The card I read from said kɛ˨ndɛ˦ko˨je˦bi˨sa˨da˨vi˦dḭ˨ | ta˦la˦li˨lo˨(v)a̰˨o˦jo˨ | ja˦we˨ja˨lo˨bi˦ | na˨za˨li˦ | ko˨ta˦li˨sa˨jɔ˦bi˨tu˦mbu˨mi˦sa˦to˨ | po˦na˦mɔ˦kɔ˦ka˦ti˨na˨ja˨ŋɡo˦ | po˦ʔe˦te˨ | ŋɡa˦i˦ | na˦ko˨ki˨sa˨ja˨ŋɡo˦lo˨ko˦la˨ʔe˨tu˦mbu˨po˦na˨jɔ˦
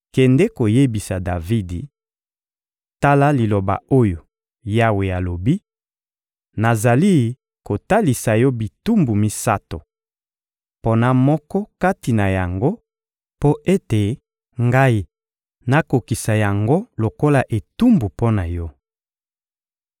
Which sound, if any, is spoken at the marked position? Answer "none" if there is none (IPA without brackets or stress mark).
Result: b